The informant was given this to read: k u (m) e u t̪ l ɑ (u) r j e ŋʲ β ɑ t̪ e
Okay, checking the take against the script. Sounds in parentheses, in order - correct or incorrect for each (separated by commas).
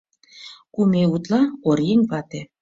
correct, incorrect